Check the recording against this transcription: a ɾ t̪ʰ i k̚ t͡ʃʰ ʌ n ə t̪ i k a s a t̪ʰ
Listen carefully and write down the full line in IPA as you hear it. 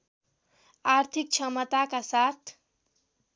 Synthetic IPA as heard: a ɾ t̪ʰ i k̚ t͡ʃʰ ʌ m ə t̪ a k a s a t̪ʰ